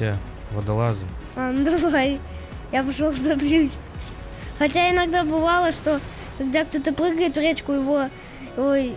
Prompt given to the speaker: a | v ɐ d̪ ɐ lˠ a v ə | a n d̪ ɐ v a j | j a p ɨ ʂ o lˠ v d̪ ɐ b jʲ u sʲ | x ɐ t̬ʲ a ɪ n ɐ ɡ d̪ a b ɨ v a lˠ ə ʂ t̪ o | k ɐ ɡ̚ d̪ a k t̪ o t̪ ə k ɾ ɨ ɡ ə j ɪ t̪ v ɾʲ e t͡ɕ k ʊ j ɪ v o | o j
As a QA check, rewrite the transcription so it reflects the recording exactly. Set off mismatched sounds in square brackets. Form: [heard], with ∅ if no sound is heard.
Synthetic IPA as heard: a | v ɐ d̪ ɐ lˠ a [z] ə | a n d̪ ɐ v a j | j a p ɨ ʂ o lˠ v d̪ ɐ b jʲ u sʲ | x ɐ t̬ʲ a ɪ n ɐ ɡ d̪ a b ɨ v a lˠ ə ʂ t̪ o | k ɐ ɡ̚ d̪ a k t̪ o t̪ ə [p] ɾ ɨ ɡ ə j ɪ t̪ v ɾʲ e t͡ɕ k ʊ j ɪ v o | o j